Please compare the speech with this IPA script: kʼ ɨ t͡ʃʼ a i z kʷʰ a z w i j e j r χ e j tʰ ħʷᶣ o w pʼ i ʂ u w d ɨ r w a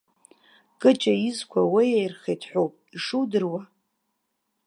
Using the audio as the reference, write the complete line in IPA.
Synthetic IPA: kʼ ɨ t͡ʃʼ a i z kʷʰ a w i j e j r χ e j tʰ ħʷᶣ o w pʼ i ʂ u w d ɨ r w a

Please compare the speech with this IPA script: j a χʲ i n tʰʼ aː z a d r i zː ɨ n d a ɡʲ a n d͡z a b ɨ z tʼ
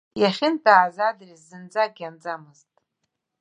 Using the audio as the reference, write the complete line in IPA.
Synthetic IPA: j a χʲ ɪ n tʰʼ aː z a d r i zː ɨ n d͡z a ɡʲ a n d͡z a m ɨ z tʼ

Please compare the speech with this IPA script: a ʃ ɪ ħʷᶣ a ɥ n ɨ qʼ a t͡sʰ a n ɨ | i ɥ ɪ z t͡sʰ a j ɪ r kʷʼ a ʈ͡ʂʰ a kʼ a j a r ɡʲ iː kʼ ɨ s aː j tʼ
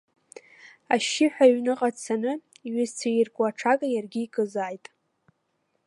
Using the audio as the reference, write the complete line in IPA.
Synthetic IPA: a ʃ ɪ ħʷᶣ a ɥ n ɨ qʼ a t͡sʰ a n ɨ | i ɥ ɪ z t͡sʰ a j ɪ r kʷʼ a ʈ͡ʂʰ a kʼ a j a r ɡʲ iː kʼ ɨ z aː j tʼ

